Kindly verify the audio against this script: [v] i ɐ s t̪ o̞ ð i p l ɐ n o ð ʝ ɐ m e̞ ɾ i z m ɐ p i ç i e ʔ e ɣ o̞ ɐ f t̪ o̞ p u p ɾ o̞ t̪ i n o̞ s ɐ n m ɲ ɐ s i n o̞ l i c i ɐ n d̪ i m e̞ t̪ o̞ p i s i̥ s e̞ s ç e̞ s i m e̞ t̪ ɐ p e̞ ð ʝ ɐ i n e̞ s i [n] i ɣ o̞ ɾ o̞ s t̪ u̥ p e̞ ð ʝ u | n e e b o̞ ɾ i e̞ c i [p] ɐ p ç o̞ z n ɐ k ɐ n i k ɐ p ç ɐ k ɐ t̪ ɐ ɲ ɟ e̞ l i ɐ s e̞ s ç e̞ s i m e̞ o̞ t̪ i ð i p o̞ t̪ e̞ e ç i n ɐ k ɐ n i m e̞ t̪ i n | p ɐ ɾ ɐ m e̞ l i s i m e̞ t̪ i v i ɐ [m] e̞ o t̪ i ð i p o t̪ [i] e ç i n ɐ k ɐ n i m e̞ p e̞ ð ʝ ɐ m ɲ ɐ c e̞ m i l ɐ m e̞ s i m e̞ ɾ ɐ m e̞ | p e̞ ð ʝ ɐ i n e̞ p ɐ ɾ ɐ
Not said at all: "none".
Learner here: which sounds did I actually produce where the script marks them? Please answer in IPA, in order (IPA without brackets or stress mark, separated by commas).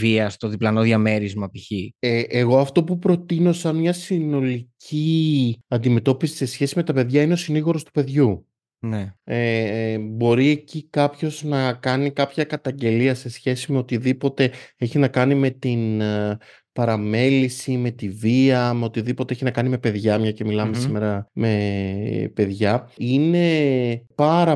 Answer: v, n, k, m, e